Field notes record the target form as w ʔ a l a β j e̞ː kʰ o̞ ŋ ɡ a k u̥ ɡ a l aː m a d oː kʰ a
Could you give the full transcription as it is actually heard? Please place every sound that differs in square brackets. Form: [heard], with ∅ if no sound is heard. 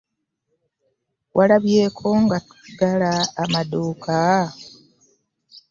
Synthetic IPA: w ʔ a l a β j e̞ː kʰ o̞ ŋ ɡ a [t] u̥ ɡ a l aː m a d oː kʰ a

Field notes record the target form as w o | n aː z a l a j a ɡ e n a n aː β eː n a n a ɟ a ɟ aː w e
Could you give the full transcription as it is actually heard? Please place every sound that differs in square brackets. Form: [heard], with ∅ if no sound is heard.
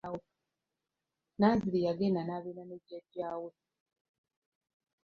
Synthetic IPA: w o | n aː z [i] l [i] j a ɡ e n a n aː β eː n a n [e] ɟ a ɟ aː w e

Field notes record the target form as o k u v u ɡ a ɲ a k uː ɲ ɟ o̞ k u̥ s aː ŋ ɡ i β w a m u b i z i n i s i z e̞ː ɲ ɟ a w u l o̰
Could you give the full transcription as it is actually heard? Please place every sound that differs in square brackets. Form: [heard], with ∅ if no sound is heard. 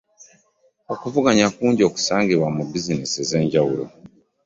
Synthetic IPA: o k u v u ɡ a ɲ a k uː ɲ ɟ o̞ k u̥ s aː ŋ ɡ i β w a m u b i z i n i s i z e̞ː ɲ ɟ a w u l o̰

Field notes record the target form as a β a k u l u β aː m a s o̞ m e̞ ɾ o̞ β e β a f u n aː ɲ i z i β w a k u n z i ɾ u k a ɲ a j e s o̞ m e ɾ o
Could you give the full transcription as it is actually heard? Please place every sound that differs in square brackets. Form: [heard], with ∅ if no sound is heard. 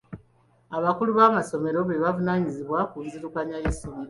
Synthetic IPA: a β a k u l u β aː m a s o̞ m e̞ ɾ o̞ β e β a [v] u n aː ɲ i z i β w a k u n z i ɾ u k a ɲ a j e s o̞ m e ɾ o

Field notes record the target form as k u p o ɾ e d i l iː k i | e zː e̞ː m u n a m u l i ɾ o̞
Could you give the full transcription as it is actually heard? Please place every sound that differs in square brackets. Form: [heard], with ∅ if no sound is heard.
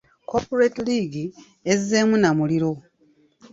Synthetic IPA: k [o] p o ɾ e [t] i l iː [ɡ] i | e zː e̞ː m u n a m u l i ɾ o̞

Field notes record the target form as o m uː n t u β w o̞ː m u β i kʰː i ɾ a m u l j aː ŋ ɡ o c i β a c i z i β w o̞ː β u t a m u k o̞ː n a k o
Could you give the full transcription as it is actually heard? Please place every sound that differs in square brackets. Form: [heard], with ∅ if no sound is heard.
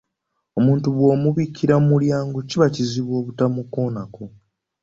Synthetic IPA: o m uː n t u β w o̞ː m u β i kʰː i ɾ a m u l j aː ŋ ɡ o c i β a c i z i β w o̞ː β u t a m u k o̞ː n a k o

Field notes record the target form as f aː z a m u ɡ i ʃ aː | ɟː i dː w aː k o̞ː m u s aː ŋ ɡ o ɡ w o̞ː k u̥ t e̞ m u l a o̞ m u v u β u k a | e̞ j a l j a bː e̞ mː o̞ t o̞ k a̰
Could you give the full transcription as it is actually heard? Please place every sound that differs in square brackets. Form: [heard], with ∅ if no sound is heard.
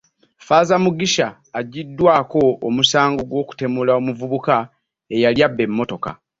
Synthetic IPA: f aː z a m u ɡ i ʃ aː | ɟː i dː w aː k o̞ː m u s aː ŋ ɡ o ɡ w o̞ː k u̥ t e̞ m u l a o̞ m u v u β u k a | e̞ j a l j a bː e̞ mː o̞ t o̞ k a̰

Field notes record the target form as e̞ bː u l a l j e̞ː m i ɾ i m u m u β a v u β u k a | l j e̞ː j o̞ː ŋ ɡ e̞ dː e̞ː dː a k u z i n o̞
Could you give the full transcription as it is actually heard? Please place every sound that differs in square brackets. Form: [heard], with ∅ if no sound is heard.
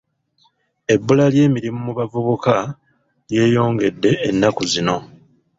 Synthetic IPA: e̞ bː u l a l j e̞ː m i ɾ i m u m u β a v u β u k a | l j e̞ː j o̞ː ŋ ɡ e̞ dː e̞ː [nː] a k u z i n o̞

